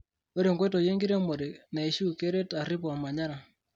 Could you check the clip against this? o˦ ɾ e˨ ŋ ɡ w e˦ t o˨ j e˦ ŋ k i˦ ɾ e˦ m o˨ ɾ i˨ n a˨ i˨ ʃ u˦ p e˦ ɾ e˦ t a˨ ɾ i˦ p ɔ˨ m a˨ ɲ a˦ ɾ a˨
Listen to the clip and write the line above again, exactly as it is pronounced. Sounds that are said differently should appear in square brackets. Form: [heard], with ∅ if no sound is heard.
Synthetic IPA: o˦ ɾ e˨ ŋ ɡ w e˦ t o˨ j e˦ ŋ [ɡ] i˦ ɾ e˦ m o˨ ɾ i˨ n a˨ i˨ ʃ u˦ [k] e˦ ɾ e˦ t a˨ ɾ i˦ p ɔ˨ m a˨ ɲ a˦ ɾ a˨